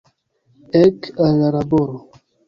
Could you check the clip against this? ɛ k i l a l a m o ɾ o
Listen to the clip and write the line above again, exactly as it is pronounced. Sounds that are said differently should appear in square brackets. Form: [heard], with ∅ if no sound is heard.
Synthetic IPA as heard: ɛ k [a] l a [ɾ] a [b] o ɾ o